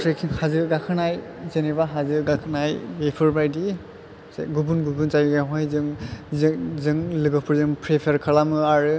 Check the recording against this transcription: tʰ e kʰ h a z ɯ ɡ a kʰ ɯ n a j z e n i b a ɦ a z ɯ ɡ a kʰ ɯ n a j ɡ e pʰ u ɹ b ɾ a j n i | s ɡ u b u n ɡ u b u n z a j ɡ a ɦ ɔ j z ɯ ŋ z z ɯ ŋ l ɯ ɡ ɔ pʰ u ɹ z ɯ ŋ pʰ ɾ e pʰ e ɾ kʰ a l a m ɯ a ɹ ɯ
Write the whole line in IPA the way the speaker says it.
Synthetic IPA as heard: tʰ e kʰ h a z ɯ ɡ a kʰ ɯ n a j z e n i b a ɦ a z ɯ ɡ a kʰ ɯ n a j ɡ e pʰ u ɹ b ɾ a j d i | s ɡ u b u n ɡ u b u n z a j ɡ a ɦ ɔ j z ɯ ŋ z z ɯ ŋ l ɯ ɡ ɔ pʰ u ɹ z ɯ ŋ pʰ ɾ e pʰ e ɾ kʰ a l a m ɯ a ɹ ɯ